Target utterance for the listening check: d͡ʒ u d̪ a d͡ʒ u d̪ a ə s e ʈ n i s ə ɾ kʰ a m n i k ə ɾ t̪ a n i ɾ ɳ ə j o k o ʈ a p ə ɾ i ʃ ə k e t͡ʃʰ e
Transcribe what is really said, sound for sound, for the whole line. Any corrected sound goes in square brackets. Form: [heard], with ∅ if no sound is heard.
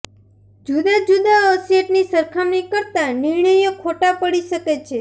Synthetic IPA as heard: d͡ʒ u d̪ a d͡ʒ u d̪ a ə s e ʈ n i s ə ɾ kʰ a m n i k ə ɾ t̪ a n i ɾ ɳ ə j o [kʰ] o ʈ a p ə [ɽ] i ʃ ə k e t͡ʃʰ e